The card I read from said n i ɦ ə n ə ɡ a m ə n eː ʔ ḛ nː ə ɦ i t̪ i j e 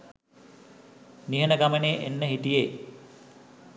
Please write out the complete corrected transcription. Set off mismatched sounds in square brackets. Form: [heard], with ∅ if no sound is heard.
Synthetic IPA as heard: n i ɦ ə n ə ɡ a m ə n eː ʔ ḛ nː ə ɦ i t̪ i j e

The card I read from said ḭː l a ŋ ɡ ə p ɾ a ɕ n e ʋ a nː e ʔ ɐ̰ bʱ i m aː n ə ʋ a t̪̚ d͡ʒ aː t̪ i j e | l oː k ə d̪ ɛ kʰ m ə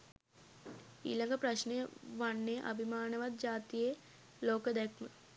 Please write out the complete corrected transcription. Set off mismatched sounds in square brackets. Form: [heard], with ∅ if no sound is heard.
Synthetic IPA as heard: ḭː l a ŋ ɡ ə p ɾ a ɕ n e ʋ a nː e ʔ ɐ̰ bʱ i m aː n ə ʋ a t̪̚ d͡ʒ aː t̪ i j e | l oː k ə d̪ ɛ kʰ m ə

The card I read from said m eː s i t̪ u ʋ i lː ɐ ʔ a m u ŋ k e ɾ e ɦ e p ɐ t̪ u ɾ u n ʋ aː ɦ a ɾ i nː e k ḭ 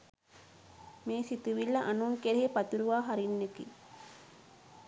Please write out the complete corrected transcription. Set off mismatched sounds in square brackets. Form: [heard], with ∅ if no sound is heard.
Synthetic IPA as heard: m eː s i t̪ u ʋ i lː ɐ ʔ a [n] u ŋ k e ɾ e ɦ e p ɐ t̪ u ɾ u [∅] ʋ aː ɦ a ɾ i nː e k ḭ

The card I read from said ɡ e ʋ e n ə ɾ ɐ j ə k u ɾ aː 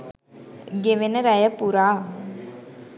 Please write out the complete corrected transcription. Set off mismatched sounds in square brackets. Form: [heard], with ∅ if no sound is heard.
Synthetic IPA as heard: ɡ e ʋ e n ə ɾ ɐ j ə [p] u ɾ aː

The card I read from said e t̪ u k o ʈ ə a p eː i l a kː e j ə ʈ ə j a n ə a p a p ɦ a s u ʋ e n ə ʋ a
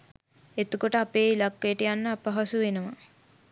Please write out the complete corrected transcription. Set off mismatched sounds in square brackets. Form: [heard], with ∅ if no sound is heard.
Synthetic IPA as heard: e t̪ u k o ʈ ə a p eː i l a kː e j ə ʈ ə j a [nː] ə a p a [∅] ɦ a s u ʋ e n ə ʋ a

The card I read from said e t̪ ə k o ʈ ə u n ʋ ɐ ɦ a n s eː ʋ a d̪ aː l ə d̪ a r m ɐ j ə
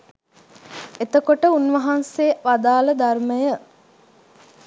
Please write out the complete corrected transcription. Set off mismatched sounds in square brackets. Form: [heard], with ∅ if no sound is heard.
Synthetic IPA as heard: e t̪ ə k o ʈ ə u n ʋ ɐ ɦ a n s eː ʋ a d̪ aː l ə d̪ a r m [ə] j ə

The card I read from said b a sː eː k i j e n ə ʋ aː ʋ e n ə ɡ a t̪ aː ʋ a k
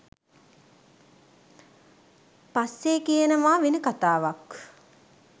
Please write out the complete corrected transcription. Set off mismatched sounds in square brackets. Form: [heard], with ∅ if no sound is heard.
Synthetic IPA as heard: [p] a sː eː k i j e n ə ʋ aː ʋ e n ə [k] a t̪ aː ʋ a k

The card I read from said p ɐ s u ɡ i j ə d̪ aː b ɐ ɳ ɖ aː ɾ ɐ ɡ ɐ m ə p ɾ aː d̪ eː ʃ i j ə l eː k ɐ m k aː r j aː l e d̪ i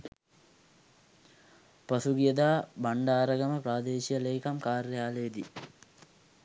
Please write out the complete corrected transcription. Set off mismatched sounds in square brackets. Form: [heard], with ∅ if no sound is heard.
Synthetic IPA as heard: p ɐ s u ɡ i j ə d̪ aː b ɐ ɳ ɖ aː ɾ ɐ ɡ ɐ m ə p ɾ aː d̪ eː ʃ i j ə l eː k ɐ m k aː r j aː l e d̪ i

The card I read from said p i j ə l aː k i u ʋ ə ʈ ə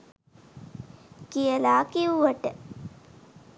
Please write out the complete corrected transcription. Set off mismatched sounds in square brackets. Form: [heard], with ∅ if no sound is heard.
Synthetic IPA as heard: [k] i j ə l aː k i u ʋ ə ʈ ə

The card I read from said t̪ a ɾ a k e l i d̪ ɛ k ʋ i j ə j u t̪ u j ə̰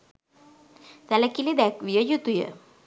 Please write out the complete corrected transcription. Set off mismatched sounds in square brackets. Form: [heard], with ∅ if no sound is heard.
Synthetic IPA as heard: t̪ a [l] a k [i] l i d̪ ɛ k ʋ i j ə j u t̪ u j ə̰

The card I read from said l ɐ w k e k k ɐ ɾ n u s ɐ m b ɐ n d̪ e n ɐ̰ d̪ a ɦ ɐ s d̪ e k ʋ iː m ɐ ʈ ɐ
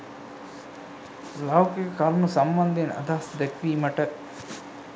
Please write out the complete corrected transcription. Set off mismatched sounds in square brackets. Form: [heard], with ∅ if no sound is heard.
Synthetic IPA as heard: l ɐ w k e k k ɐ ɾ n u s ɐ m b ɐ n d̪ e n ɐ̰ d̪ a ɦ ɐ s d̪ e k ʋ iː m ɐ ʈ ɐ

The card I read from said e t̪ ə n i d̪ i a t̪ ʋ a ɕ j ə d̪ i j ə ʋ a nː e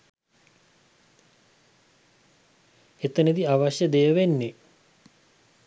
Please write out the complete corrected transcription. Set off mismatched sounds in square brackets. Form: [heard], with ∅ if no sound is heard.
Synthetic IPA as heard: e t̪ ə n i d̪ i a [∅] ʋ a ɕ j ə d̪ [e] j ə ʋ [e] nː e

